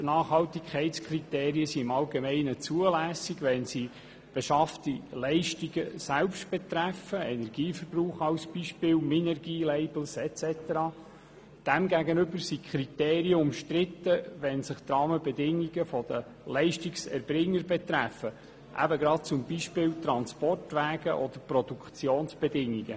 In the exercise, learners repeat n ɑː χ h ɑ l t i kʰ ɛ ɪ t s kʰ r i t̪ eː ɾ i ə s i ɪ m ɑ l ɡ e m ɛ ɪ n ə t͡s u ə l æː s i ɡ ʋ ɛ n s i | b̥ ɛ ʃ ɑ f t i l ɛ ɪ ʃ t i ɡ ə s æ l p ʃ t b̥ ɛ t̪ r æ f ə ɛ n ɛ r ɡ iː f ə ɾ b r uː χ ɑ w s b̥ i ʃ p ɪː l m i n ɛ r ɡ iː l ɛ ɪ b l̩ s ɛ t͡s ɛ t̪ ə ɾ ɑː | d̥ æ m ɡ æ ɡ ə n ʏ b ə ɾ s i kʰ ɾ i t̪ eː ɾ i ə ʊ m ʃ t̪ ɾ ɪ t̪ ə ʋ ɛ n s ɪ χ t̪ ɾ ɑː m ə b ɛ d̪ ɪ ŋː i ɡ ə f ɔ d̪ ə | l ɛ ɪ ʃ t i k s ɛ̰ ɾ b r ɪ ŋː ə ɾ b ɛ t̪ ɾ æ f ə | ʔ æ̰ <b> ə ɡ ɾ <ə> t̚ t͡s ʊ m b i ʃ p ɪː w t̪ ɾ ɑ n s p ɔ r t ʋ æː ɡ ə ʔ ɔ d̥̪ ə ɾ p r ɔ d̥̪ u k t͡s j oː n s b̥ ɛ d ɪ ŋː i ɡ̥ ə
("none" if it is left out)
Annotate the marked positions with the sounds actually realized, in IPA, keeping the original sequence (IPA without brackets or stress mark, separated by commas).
b, ɑ